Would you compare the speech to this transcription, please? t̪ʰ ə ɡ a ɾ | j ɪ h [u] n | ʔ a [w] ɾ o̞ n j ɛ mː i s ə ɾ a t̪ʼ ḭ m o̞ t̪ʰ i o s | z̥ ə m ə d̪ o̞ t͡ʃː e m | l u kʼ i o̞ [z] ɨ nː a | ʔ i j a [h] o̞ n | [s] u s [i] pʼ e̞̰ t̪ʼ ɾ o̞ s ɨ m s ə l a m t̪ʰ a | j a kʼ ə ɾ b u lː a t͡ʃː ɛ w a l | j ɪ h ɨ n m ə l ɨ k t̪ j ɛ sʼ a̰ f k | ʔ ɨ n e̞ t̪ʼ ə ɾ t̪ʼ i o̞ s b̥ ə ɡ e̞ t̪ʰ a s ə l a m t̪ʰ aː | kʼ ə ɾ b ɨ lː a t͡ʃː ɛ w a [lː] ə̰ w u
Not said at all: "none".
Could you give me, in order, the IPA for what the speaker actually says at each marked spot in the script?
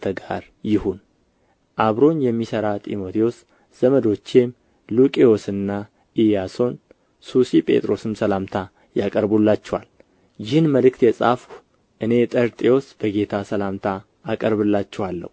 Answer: u, β, s, s, s, i, lː

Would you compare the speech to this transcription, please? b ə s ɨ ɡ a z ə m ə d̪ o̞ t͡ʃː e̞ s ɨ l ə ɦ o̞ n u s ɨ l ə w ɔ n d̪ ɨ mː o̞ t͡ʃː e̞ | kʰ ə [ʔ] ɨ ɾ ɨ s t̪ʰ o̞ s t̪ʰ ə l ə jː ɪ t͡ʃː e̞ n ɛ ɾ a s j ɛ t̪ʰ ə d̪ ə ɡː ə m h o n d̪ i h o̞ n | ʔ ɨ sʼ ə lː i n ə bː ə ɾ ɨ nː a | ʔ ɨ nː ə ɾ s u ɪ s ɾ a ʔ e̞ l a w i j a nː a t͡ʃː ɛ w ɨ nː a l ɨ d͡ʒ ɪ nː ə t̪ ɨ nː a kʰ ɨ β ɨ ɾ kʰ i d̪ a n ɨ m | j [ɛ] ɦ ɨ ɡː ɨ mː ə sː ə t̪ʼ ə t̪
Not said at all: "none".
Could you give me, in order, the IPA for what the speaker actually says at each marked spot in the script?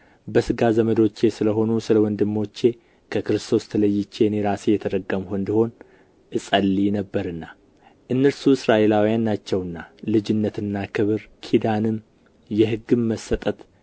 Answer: k, ɛ

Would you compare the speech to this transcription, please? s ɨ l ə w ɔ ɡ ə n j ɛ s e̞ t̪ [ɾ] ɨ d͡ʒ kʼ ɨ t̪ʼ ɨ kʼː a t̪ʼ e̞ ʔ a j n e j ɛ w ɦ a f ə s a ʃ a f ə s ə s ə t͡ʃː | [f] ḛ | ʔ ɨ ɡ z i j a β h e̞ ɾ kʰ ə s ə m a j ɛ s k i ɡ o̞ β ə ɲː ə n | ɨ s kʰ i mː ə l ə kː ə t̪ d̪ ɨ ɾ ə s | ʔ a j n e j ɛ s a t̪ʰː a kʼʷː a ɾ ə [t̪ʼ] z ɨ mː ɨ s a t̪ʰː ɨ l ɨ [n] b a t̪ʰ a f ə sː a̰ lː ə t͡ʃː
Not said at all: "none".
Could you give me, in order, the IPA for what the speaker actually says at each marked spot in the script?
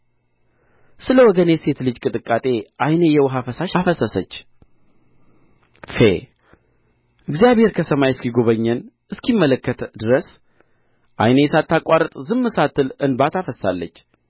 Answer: l, f, t̪ʼ, n

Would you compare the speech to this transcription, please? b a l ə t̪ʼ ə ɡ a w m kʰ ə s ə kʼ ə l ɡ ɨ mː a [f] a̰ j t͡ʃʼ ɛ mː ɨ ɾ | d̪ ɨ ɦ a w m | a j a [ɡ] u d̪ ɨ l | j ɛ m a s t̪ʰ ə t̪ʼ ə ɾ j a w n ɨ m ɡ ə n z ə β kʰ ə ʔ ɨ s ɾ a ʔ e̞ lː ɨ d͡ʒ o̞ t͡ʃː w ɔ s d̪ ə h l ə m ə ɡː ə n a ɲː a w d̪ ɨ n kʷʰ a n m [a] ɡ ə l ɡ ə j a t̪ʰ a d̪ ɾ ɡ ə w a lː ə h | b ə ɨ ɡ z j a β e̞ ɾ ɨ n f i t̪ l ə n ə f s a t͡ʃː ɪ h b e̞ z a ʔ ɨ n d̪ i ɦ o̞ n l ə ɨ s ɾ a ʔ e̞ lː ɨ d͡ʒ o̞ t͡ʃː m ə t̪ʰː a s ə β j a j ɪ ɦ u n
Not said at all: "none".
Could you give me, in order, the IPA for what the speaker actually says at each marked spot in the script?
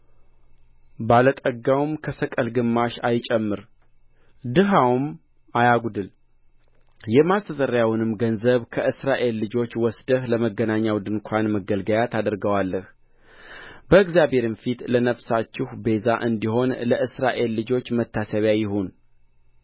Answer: ʃ, ɡ, ə

